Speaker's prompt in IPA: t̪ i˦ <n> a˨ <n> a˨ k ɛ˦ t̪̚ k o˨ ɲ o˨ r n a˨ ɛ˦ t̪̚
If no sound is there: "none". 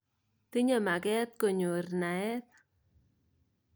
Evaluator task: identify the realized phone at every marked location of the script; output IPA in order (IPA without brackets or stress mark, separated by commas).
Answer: ɲ, m